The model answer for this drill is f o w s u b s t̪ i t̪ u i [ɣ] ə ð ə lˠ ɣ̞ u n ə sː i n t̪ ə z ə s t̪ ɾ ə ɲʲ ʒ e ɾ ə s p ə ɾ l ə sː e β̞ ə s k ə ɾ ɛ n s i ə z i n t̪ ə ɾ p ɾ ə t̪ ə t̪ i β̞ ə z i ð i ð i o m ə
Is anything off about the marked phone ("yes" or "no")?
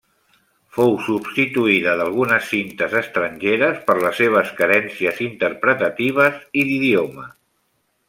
yes